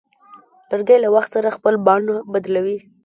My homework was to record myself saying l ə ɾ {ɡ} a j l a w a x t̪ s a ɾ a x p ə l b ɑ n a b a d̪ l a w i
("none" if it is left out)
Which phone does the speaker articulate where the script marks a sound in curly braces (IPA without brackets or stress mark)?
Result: ɡ